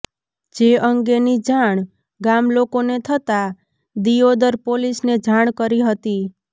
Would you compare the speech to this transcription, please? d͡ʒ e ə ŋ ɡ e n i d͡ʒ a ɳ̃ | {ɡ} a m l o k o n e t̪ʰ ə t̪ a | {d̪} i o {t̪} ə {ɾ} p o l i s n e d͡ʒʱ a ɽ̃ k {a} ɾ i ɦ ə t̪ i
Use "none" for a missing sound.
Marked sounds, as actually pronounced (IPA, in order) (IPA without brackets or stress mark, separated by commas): ɡ, d̪, d̪, ɾ, ə